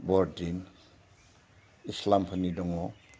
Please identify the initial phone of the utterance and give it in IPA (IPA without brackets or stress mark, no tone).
b